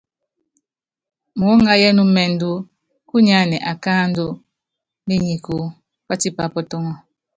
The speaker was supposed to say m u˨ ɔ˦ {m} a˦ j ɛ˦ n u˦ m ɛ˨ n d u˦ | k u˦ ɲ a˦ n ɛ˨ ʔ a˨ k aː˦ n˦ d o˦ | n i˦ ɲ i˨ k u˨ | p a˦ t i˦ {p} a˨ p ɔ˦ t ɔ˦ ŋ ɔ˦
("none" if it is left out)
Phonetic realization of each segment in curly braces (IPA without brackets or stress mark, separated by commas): ŋ, p